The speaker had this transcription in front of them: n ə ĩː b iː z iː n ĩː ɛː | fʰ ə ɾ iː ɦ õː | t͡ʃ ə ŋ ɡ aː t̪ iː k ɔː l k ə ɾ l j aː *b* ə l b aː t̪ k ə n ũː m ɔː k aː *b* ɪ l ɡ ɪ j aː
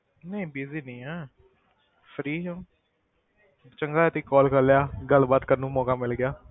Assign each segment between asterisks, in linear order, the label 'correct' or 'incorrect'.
incorrect, incorrect

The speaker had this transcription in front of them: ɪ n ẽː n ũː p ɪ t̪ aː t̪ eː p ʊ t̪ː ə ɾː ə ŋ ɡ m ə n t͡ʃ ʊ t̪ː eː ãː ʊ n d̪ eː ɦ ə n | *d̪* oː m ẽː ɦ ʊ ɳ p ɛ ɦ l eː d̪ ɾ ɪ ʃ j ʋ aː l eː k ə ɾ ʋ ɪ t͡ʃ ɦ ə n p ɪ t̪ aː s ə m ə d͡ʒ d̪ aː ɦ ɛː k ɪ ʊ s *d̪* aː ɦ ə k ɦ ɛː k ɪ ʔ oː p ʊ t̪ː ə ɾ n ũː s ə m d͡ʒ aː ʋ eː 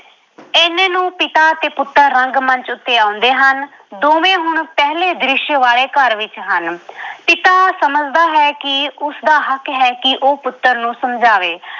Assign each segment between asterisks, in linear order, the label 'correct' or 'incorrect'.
correct, correct

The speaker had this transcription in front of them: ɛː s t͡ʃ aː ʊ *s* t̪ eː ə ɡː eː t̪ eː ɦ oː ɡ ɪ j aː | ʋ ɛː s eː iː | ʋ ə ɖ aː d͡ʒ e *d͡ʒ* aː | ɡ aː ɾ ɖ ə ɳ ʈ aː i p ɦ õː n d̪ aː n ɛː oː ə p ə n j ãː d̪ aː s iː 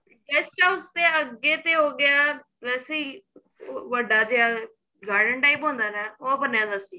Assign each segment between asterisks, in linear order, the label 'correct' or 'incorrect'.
correct, incorrect

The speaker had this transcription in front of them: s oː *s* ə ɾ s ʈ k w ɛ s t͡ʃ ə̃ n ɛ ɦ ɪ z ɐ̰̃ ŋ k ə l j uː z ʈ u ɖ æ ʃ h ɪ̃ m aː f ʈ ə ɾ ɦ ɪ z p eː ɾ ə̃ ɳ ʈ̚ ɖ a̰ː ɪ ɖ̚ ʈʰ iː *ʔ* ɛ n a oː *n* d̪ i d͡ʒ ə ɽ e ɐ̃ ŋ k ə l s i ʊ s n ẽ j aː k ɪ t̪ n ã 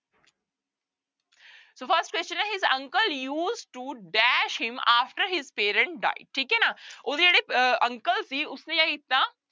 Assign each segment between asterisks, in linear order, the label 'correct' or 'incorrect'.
incorrect, incorrect, incorrect

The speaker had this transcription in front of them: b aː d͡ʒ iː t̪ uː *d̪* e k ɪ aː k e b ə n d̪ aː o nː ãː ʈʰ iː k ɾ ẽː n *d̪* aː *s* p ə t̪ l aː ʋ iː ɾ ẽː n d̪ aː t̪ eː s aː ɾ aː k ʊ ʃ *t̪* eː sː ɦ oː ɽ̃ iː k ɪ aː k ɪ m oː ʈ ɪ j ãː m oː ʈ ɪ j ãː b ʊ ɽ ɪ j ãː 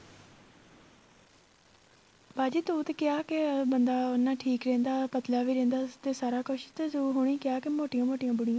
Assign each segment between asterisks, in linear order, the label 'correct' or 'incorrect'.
incorrect, correct, incorrect, correct

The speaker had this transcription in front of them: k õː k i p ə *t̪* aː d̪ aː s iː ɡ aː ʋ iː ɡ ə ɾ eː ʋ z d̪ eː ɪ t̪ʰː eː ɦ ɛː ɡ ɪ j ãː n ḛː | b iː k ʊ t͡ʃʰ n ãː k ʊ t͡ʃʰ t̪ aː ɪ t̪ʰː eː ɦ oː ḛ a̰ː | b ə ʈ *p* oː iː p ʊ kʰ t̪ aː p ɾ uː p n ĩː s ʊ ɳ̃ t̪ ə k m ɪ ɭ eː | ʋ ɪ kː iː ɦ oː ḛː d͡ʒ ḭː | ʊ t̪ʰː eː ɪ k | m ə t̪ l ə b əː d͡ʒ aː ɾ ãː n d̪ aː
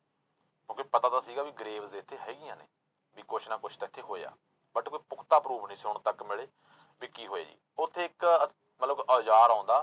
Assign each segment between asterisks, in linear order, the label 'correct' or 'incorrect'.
correct, incorrect

